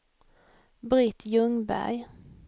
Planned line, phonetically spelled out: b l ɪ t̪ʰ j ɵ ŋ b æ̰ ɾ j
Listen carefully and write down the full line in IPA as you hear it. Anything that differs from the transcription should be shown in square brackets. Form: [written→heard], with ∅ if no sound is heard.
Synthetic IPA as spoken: b [l→ɾ] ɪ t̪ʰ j ɵ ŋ b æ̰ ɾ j